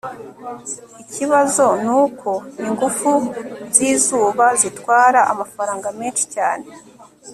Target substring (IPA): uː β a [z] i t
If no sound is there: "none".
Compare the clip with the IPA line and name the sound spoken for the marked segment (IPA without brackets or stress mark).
z